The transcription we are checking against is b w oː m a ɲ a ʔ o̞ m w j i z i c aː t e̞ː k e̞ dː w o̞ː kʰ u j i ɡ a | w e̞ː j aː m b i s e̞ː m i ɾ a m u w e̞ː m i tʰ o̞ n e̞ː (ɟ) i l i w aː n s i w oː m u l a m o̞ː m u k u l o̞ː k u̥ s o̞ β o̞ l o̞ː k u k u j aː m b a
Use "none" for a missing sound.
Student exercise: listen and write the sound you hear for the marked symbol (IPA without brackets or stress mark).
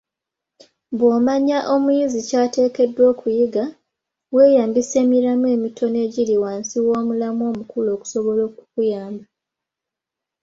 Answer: ɟ